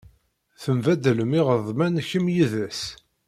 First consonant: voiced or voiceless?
voiceless